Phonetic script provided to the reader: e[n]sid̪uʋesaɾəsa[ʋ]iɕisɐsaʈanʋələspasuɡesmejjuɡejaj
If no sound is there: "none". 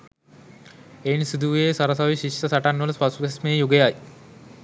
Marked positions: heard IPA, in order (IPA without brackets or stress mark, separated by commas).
n, ʋ